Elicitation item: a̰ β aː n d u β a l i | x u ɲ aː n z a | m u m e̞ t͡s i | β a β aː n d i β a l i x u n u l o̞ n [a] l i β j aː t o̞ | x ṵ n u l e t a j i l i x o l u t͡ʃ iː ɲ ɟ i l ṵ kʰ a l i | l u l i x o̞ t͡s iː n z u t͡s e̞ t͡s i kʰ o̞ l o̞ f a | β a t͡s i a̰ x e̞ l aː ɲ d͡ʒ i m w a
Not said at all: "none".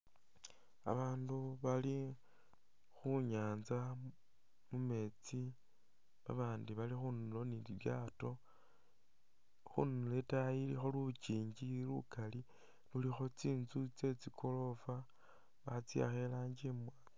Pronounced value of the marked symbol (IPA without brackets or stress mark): i